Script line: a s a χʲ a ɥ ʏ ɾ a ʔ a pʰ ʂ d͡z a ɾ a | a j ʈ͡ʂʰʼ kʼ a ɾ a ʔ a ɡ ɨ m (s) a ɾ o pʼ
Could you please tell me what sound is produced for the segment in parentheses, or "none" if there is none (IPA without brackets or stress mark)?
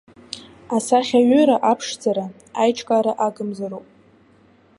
z